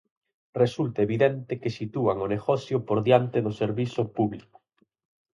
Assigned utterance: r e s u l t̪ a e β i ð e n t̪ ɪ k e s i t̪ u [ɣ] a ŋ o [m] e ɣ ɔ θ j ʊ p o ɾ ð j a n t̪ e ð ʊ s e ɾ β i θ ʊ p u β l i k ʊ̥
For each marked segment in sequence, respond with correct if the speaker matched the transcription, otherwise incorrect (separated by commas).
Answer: incorrect, incorrect